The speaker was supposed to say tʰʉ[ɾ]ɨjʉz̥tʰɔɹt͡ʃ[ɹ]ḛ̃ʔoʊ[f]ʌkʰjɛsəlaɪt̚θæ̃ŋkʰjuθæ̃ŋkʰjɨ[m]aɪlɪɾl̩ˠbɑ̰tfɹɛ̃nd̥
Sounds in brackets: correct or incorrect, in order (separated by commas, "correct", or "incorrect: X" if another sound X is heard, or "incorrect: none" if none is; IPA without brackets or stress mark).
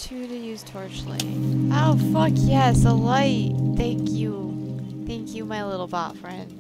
correct, incorrect: l, correct, correct